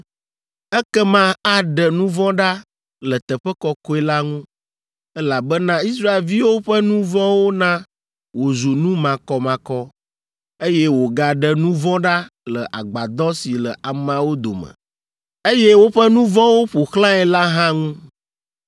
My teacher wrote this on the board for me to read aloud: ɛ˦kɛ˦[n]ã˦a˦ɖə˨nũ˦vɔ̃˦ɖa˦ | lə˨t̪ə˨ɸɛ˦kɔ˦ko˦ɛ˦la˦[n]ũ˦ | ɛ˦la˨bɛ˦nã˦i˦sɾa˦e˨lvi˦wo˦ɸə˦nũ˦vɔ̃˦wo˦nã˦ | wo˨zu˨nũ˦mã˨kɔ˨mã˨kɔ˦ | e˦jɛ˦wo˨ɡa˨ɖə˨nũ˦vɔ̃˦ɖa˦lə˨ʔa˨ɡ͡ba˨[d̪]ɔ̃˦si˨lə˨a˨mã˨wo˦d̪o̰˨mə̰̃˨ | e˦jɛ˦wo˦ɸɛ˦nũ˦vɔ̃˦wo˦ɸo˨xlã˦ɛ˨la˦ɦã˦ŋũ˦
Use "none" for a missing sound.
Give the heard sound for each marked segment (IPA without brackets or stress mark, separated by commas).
m, ŋ, d̪